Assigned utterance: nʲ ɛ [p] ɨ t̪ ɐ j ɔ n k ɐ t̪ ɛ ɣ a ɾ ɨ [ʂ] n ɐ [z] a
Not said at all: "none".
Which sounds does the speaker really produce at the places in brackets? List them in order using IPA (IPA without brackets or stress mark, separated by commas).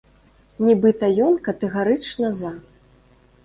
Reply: b, t͡ʂ, z